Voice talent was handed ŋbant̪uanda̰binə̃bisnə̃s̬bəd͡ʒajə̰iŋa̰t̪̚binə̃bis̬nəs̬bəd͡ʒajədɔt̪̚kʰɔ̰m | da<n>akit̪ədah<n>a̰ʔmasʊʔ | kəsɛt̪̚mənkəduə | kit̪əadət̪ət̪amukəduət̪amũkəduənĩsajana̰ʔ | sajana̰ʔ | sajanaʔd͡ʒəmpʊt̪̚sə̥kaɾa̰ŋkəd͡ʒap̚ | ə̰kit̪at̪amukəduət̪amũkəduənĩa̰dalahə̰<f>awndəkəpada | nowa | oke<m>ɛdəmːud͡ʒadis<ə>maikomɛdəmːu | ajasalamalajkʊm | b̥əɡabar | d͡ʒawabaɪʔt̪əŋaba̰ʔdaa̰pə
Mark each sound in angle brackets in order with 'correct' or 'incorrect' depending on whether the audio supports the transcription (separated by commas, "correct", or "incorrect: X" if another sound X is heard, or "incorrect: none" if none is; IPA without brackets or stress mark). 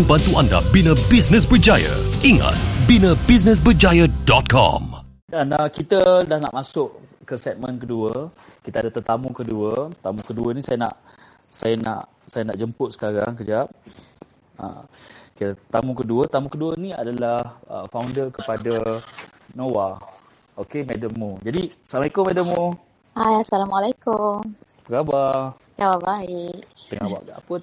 correct, correct, correct, correct, incorrect: a